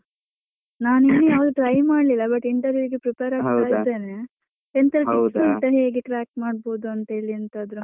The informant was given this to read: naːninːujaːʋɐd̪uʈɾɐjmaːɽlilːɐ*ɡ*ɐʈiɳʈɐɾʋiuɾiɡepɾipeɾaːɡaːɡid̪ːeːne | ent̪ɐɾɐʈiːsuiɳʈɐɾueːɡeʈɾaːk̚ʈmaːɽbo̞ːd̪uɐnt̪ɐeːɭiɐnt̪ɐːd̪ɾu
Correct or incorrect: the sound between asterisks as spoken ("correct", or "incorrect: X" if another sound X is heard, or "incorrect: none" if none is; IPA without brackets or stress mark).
incorrect: b